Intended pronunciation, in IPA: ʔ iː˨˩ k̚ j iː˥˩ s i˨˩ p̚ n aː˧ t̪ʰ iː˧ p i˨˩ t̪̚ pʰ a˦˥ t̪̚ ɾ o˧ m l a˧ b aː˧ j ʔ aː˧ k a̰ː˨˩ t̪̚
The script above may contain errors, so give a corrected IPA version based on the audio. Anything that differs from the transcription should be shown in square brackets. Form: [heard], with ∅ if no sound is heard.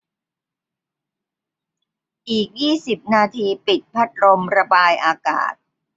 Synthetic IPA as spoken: ʔ iː˨˩ k̚ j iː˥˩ s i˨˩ p̚ n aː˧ t̪ʰ iː˧ p i˨˩ t̪̚ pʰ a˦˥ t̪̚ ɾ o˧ m [ɾ] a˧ b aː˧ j ʔ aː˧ k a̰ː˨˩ t̪̚